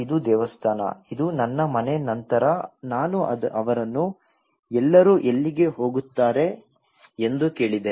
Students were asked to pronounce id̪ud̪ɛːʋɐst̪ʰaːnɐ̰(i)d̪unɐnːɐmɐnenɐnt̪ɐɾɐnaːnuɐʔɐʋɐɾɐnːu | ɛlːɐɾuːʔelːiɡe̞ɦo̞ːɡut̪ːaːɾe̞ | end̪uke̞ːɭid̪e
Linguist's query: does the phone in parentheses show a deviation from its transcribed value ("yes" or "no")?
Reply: no